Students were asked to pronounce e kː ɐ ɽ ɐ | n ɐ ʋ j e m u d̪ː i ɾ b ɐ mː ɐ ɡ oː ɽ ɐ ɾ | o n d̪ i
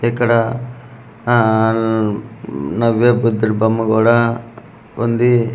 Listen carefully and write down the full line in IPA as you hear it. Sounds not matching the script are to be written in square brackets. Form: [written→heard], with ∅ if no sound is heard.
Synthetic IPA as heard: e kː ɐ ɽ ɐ | n ɐ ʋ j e [m→b] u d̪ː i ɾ b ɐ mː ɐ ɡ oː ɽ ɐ [ɾ→∅] | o n d̪ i